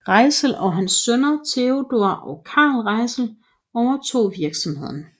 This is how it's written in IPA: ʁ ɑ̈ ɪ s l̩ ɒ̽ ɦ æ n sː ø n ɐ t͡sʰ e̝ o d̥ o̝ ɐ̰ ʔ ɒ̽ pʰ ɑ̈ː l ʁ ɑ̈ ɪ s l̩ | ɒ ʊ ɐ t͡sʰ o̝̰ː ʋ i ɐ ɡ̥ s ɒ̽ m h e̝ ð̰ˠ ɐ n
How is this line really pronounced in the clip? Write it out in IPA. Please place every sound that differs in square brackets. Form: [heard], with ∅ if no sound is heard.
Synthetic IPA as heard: ʁ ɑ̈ ɪ s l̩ ɒ̽ ɦ æ n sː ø n ɐ t͡sʰ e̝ o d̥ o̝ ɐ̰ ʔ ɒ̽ [kʰ] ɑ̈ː l ʁ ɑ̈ ɪ s l̩ | ɒ ʊ ɐ t͡sʰ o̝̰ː ʋ i ɐ ɡ̥ s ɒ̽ m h e̝ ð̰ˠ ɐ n